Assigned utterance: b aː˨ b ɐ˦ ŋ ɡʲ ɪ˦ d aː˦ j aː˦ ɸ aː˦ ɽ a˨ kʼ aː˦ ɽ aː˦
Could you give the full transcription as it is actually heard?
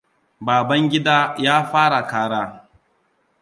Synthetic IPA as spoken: b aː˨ b ɐ˦ ŋ ɡʲ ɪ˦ d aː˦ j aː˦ ɸ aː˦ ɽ a˨ k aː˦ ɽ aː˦